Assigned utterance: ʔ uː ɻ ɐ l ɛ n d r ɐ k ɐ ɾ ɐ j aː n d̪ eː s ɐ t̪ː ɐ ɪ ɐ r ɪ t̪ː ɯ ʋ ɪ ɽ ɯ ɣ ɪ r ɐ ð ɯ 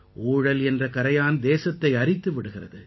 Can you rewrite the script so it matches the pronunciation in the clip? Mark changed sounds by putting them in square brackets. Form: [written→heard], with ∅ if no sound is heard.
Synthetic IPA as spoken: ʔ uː ɻ ɐ l ɛ n d r ɐ k ɐ ɾ ɐ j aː n d̪ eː s ɐ t̪ː ɐ ɪ ɐ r ɪ t̪ː ɯ ʋ ɪ ɽ ɯ ɣ ɪ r ɐ ð ɯ

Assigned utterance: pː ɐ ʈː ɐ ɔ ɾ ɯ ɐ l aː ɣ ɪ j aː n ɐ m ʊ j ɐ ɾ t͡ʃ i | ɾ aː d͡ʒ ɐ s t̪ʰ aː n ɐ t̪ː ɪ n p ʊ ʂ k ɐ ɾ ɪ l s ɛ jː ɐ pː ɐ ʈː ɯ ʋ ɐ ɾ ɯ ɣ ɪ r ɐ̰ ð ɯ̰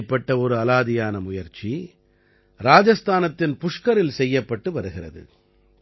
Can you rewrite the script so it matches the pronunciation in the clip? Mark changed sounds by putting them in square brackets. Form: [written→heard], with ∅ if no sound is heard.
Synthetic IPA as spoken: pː ɐ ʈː ɐ ɔ ɾ ɯ ɐ l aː [ɣ→ð] ɪ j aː n ɐ m ʊ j ɐ ɾ t͡ʃ i | ɾ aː d͡ʒ ɐ s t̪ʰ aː n ɐ t̪ː ɪ n p ʊ ʂ k ɐ ɾ ɪ l s ɛ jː ɐ pː ɐ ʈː ɯ ʋ ɐ ɾ ɯ ɣ ɪ r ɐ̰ ð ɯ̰

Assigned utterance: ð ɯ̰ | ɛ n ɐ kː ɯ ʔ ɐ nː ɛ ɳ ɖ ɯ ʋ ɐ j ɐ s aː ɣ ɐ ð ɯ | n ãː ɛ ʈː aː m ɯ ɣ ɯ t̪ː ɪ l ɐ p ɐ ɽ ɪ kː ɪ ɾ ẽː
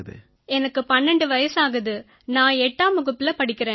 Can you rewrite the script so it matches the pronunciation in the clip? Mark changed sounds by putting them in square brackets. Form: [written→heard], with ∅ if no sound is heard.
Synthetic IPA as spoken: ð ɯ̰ | ɛ n ɐ kː ɯ [ʔ→p] ɐ nː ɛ ɳ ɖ ɯ ʋ ɐ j ɐ s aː ɣ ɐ ð ɯ | n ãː ɛ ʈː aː m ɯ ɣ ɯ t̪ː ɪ l ɐ p ɐ ɽ ɪ kː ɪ ɾ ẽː

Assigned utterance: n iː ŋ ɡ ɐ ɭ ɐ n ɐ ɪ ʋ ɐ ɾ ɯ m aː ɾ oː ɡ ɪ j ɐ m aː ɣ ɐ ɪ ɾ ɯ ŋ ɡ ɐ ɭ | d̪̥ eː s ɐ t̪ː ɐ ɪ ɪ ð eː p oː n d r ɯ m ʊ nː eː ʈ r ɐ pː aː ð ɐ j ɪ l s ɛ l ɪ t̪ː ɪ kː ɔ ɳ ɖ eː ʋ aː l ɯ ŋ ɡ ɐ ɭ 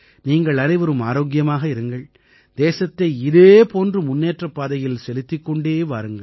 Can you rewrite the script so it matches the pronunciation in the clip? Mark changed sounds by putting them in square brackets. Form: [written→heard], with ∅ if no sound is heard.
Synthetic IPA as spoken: n iː ŋ ɡ ɐ ɭ ɐ n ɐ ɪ ʋ ɐ ɾ ɯ m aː ɾ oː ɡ ɪ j ɐ m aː ɣ ɐ ɪ ɾ ɯ ŋ ɡ ɐ ɭ | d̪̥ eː s ɐ t̪ː ɐ ɪ ɪ ð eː p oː n d r ɯ m ʊ nː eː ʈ r ɐ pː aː ð ɐ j ɪ l s ɛ l ɪ t̪ː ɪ kː ɔ ɳ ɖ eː ʋ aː [l→ɾ] ɯ ŋ ɡ ɐ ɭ

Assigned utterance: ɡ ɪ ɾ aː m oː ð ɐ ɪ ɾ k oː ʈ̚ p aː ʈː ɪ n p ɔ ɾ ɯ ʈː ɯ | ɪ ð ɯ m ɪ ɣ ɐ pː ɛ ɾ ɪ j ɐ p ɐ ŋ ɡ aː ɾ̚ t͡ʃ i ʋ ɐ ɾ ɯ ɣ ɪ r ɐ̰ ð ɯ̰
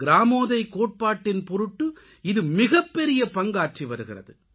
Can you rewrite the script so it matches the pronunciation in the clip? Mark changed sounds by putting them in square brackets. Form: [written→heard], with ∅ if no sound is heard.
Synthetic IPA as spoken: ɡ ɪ ɾ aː m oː ð ɐ ɪ [ɾ→∅] k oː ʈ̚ p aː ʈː ɪ n p ɔ ɾ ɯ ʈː ɯ | ɪ ð ɯ m ɪ ɣ ɐ pː ɛ ɾ ɪ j ɐ p ɐ ŋ ɡ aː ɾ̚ t͡ʃ i ʋ ɐ ɾ ɯ ɣ ɪ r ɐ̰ ð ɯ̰

